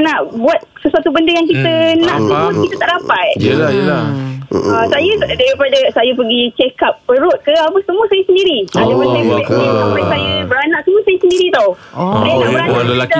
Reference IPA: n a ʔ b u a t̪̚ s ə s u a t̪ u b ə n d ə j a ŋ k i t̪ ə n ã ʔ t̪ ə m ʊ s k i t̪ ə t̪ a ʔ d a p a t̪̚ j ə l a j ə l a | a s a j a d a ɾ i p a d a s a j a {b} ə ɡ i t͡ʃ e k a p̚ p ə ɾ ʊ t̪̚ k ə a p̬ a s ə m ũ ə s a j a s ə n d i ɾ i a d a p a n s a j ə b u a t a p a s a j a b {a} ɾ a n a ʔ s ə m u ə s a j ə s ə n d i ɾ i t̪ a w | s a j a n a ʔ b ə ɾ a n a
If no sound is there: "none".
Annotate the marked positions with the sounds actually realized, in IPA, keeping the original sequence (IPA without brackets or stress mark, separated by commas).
p, ə